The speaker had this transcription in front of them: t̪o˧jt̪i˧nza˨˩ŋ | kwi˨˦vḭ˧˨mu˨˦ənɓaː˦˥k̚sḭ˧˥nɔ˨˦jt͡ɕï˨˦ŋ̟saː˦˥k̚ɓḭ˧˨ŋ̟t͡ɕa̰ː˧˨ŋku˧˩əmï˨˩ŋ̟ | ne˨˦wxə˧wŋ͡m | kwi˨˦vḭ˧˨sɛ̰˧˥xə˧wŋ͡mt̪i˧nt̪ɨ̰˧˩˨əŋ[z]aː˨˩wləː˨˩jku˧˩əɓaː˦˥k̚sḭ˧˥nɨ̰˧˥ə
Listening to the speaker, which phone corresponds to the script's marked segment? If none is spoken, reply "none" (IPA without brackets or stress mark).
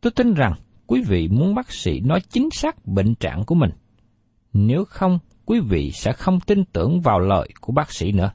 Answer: v